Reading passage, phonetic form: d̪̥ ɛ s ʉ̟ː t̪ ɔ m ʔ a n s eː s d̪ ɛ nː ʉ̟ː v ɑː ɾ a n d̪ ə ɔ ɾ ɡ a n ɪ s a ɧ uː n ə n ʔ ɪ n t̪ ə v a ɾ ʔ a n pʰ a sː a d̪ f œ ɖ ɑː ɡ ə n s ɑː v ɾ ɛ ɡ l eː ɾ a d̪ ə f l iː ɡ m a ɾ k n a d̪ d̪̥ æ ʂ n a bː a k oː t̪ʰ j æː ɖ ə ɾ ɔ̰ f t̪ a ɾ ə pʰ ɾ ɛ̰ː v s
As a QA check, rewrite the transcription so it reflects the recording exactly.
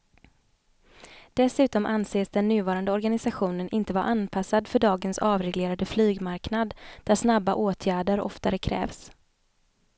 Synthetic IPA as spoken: d̪̥ ɛ s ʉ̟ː t̪ ɔ m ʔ a n s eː s d̪ ɛ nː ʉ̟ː v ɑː ɾ a n d̪ ə ɔ ɾ ɡ a n ɪ s a ɧ uː n ə n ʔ ɪ n t̪ ə v a ɾ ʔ a n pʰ a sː a d̪ f œ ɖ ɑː ɡ ə n s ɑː v ɾ ɛ ɡ l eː ɾ a d̪ ə f l yː ɡ m a ɾ k n a d̪ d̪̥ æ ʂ n a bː a ʔ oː t̪ʰ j æː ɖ ə ɾ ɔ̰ f t̪ a ɾ ə kʰ ɾ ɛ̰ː v s

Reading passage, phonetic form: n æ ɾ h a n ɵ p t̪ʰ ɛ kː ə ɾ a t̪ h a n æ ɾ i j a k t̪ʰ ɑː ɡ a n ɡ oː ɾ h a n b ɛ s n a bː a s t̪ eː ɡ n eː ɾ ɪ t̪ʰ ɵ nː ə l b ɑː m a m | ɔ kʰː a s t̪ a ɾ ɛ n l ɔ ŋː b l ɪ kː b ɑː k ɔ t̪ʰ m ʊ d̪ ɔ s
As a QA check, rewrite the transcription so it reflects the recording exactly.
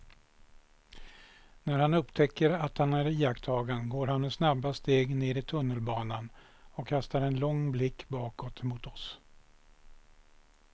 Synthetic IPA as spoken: n æ ɾ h a n ɵ p t̪ʰ ɛ kː ə ɾ a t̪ h a n æ ɾ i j a k t̪ʰ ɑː ɡ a n ɡ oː ɾ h a n m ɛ s n a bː a s t̪ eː ɡ n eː ɾ ɪ t̪ʰ ɵ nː ə l b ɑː n a n | ɔ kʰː a s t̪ a ɾ ɛ n l ɔ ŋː b l ɪ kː b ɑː k ɔ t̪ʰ m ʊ t̪ ɔ s

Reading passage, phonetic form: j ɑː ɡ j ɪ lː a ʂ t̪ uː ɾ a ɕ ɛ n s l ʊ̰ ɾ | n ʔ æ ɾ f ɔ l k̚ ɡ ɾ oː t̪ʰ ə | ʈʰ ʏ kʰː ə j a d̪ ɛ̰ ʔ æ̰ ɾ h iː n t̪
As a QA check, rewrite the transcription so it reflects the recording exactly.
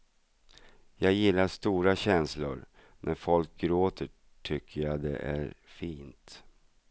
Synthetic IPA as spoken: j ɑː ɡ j ɪ lː a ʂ t̪ uː ɾ a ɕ ɛ n s l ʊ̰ ɾ | n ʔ æ ɾ f ɔ l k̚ ɡ ɾ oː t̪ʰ ə | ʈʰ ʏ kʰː ə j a d̪ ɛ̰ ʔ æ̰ ɾ f iː n t̪

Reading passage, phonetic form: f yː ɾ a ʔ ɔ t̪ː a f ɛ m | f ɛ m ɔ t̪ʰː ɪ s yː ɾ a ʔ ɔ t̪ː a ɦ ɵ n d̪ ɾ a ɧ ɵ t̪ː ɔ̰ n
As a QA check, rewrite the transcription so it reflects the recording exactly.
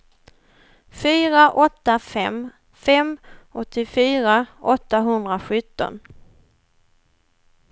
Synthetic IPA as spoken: f yː ɾ a ʔ ɔ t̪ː a f ɛ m | f ɛ m ɔ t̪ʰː ɪ f yː ɾ a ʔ ɔ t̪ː a ɦ ɵ n d̪ ɾ a ɧ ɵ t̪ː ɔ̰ n

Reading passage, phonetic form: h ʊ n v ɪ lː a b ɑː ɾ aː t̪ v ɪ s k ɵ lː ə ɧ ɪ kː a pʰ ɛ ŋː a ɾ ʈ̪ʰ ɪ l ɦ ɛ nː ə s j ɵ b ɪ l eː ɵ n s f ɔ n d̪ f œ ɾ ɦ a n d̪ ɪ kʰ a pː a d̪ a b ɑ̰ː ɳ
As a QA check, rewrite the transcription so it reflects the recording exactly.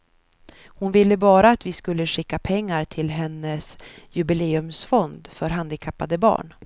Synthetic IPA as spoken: h ʊ n v ɪ lː ə b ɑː ɾ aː t̪ v ɪ s k ɵ lː ə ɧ ɪ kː a pʰ ɛ ŋː a ɾ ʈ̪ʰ ɪ l ɦ ɛ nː ə s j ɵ b ɪ l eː ɵ m s f ɔ n d̪ f œ ɾ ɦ a n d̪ ɪ kʰ a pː a d̪ ə b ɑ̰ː ɳ

